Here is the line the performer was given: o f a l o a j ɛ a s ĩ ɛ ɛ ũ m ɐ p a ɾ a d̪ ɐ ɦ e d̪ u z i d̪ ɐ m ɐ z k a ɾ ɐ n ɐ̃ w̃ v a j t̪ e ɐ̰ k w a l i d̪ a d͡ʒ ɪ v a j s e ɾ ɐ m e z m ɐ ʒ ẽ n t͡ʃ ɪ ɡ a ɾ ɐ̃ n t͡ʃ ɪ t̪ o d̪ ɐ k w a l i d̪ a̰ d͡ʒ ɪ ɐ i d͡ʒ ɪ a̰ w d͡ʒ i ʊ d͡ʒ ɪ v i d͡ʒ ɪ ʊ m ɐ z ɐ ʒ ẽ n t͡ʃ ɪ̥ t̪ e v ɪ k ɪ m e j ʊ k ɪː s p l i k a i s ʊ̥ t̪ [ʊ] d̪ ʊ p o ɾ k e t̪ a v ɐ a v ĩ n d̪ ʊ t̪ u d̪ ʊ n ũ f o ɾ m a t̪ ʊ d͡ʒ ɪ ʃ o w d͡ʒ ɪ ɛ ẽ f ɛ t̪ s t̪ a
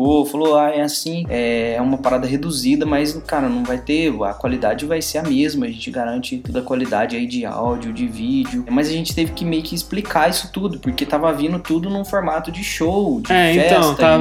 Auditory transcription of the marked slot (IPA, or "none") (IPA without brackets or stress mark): u